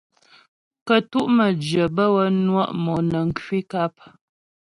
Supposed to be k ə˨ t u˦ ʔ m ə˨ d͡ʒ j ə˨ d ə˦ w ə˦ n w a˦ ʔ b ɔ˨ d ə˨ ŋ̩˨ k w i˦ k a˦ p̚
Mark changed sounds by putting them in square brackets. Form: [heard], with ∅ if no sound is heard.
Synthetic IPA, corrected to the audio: k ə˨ t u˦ ʔ m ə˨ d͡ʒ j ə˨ [b] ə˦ w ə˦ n w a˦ ʔ [m] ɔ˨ [n] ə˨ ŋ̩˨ k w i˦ k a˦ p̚